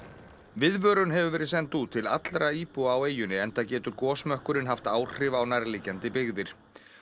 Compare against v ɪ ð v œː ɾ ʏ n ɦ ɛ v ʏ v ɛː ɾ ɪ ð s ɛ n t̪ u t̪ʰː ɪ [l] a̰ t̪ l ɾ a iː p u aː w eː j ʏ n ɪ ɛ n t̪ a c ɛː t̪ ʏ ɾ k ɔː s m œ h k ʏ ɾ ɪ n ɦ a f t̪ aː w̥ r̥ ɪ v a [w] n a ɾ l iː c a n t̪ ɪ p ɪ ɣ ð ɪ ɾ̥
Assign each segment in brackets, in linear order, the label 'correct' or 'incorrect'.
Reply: correct, correct

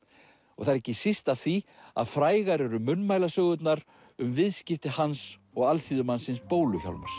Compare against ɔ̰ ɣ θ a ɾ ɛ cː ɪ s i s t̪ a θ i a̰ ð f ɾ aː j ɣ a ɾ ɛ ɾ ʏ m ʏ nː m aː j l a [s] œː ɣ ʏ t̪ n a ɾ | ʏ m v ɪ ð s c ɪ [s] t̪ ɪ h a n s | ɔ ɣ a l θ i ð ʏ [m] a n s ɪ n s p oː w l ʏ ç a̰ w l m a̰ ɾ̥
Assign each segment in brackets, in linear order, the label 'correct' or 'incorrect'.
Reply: correct, incorrect, correct

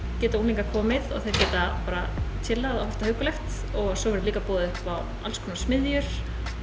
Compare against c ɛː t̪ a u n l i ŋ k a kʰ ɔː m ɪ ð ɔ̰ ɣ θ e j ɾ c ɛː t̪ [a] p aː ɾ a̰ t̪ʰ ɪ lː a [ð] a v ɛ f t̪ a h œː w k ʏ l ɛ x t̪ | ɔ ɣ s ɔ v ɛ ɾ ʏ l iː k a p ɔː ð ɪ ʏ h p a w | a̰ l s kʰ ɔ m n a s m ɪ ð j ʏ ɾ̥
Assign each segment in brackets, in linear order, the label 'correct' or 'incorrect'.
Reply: correct, correct

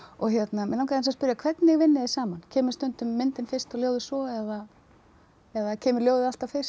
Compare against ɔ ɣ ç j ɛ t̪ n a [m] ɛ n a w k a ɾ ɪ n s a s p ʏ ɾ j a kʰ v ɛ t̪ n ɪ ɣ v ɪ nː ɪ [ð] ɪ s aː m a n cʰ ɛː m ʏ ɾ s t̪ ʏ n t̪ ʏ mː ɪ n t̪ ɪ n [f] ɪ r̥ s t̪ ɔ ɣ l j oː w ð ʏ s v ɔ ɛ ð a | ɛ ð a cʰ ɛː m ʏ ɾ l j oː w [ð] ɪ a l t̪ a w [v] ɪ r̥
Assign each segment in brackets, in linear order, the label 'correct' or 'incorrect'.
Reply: correct, correct, correct, correct, incorrect

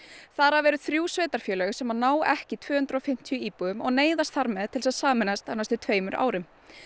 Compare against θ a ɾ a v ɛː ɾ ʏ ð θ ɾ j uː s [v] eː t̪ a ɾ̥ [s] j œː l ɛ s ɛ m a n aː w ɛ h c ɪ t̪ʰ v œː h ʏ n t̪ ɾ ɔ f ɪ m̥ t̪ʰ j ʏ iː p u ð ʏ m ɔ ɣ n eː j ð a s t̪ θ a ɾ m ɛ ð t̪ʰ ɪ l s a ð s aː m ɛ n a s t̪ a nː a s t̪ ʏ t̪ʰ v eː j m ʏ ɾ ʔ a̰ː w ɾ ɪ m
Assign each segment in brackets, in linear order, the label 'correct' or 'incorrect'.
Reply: correct, incorrect

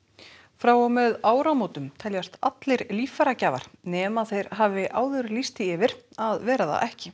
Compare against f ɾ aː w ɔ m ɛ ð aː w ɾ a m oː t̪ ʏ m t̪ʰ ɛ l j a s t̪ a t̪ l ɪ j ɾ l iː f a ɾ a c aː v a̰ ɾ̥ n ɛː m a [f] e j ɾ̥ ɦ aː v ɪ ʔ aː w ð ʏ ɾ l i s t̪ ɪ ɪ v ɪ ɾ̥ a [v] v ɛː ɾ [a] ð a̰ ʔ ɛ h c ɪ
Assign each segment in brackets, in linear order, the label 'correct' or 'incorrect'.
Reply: incorrect, incorrect, correct

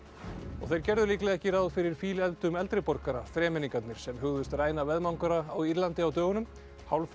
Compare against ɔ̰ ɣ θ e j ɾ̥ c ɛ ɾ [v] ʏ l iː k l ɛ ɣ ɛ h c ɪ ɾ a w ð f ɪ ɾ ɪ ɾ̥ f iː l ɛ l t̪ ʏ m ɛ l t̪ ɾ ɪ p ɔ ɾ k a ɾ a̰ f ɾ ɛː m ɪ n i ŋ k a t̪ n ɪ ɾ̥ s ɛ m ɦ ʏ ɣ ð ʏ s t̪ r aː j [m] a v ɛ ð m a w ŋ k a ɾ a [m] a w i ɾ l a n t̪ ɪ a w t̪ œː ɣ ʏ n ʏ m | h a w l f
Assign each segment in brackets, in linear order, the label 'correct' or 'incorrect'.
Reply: incorrect, incorrect, incorrect

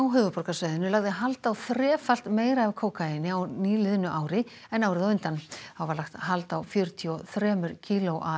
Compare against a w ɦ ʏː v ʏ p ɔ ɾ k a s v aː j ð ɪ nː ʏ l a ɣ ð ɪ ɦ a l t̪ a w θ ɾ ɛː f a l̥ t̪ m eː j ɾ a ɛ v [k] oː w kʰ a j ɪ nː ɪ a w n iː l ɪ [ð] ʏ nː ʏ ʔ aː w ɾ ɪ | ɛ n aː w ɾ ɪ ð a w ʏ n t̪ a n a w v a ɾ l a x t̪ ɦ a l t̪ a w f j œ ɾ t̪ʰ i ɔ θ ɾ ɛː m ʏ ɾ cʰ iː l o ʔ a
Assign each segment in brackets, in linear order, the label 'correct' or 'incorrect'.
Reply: incorrect, correct

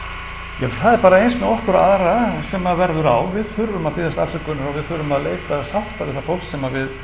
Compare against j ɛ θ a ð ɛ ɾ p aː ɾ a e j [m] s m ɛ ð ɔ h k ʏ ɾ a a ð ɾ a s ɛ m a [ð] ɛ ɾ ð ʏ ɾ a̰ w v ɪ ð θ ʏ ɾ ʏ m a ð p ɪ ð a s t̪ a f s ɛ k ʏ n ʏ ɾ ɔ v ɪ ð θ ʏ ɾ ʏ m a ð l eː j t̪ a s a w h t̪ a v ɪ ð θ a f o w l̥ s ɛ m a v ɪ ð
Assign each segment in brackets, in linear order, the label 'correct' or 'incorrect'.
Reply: incorrect, incorrect

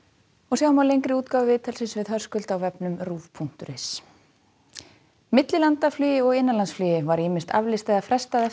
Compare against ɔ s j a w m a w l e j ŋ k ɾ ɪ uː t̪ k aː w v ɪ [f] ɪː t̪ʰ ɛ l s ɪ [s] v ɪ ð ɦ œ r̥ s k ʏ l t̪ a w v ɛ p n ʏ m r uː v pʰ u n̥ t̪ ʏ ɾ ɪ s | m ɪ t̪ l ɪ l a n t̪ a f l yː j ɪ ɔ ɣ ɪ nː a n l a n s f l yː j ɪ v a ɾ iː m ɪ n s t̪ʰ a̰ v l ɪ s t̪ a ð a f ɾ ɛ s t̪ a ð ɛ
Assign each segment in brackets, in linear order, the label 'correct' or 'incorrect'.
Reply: incorrect, correct

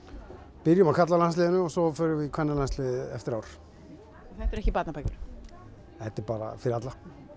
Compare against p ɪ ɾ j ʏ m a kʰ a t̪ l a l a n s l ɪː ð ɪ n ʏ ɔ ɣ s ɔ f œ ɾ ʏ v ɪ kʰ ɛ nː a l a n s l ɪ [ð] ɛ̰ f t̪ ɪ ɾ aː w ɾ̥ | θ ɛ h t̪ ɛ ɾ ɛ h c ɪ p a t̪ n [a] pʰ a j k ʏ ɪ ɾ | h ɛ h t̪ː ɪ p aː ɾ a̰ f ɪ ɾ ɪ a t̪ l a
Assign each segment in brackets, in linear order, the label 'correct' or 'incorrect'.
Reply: correct, correct

